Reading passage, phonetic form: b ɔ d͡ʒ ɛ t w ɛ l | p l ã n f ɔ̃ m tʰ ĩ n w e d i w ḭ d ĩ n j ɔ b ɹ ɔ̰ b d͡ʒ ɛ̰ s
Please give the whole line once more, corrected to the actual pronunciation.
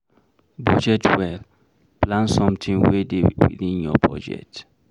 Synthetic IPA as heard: b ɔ d͡ʒ ɛ t w ɛ l | p l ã n s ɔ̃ m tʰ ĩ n w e d e w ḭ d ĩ n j ɔ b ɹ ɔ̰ d͡ʒ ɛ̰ t